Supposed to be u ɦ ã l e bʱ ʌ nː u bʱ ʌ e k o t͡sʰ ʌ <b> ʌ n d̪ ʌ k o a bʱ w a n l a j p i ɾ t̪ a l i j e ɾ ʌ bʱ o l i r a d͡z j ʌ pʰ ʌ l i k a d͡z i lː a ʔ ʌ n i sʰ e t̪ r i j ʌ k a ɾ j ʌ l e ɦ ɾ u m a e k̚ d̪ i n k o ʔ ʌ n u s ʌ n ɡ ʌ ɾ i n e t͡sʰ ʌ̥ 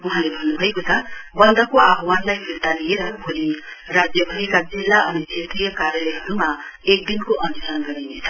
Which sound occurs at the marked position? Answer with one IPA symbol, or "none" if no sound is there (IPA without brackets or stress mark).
b